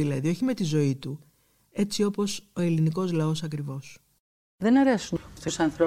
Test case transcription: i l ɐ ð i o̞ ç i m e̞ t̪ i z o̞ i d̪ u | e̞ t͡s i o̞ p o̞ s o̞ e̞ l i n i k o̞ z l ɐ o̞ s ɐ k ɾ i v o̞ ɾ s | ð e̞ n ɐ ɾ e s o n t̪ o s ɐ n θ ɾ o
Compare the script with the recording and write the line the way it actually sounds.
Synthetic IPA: i l ɐ ð i o̞ ç i m e̞ t̪ i z o̞ i t̪ u | e̞ t͡s i o̞ p o̞ s o̞ e̞ l i n i k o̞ z l ɐ o̞ s ɐ k ɾ i v o̞ s | ð e̞ n ɐ ɾ e s u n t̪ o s ɐ n θ ɾ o